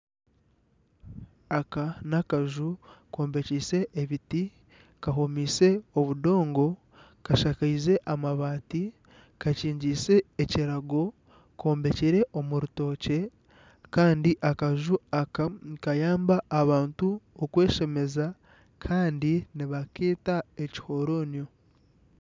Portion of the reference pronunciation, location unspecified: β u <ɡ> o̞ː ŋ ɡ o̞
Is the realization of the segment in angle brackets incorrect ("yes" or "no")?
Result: yes